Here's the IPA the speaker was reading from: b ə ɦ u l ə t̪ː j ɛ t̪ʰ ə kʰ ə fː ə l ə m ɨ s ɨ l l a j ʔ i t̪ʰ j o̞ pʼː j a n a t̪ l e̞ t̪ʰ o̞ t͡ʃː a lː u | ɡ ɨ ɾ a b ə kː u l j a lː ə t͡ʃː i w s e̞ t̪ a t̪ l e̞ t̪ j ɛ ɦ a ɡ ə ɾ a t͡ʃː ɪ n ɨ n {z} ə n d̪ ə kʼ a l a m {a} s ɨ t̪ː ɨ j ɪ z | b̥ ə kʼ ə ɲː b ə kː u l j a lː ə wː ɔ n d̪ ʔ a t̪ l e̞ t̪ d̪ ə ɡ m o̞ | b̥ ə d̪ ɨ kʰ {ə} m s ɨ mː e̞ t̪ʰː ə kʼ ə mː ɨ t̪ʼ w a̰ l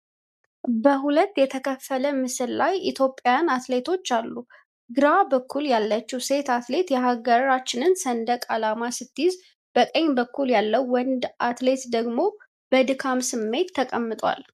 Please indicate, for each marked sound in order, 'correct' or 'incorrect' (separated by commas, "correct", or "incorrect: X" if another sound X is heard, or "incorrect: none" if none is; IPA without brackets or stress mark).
incorrect: s, correct, incorrect: a